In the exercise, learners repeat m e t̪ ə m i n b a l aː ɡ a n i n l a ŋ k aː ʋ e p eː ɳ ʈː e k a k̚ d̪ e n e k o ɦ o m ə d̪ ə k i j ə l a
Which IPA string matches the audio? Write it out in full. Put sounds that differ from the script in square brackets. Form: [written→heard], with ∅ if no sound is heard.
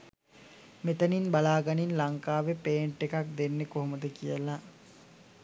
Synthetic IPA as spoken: m e t̪ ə [m→n] i n b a l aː ɡ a n i n l a ŋ k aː ʋ e p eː ɳ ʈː e k a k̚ d̪ e [n→nː] e k o ɦ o m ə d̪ ə k i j ə l a